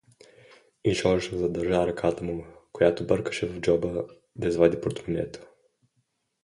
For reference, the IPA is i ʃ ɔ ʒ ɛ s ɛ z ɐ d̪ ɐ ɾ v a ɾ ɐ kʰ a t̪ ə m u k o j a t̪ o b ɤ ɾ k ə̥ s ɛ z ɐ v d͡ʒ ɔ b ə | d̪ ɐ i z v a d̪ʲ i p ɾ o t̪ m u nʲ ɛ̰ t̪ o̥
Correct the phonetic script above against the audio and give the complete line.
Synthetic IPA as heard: i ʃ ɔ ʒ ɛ ʃ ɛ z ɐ d̪ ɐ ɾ ʒ a ɾ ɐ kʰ a t̪ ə m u k o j a t̪ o b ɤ ɾ k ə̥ ʃ ɛ v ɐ v d͡ʒ ɔ b ə | d̪ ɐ i z v a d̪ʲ i p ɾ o t̪ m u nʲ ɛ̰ t̪ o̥